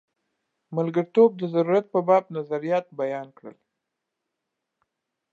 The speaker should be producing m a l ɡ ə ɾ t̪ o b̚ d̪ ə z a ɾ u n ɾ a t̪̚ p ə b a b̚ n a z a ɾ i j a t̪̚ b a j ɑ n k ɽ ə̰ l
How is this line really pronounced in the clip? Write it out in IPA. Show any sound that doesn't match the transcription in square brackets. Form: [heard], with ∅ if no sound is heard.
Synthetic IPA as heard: m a l ɡ ə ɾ t̪ o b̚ d̪ ə z a ɾ u [∅] ɾ a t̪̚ p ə b [ɑ] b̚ n a z a ɾ i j [ɑ] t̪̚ b a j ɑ n k ɽ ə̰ l